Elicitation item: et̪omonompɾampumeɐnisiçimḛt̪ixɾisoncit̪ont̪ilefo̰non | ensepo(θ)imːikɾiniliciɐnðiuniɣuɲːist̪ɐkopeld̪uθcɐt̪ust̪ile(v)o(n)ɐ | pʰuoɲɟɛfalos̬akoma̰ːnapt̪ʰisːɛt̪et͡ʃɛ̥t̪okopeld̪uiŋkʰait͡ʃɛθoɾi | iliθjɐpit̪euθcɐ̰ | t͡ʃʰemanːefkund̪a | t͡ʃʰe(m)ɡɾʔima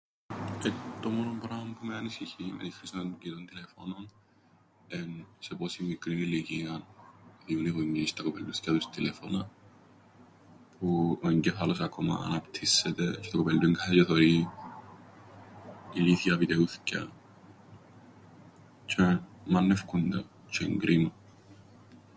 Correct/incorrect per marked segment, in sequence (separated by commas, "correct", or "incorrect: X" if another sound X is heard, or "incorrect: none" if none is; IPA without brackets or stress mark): incorrect: s, incorrect: f, correct, incorrect: ŋ